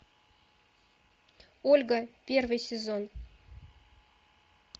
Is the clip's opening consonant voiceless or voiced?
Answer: voiced